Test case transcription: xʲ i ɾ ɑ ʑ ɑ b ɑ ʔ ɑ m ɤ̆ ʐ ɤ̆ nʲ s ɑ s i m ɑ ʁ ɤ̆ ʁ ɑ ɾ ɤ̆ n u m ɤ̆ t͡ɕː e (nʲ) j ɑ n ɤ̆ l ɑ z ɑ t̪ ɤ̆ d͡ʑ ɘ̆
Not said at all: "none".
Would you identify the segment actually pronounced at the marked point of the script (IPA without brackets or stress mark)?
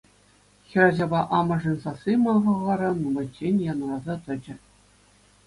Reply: nʲ